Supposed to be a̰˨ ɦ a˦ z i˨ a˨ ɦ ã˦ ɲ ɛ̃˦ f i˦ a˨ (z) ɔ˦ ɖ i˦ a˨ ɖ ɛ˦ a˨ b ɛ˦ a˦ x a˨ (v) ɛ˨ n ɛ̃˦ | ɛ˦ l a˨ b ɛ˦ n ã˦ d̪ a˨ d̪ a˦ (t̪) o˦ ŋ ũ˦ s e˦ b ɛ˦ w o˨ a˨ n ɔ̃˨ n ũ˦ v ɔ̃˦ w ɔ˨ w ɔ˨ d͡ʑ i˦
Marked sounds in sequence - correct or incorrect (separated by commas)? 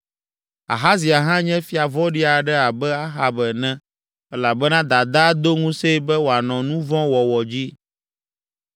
incorrect, incorrect, incorrect